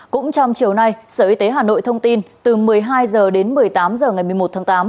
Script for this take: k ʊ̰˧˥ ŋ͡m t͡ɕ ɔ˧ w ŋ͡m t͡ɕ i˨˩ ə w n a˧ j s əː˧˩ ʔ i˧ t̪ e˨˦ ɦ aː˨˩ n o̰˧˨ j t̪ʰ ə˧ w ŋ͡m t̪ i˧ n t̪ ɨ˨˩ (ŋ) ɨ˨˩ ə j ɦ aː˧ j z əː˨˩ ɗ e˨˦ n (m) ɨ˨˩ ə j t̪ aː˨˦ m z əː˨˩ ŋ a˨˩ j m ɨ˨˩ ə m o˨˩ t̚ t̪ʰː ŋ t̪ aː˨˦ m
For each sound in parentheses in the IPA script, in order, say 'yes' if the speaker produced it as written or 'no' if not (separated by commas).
no, yes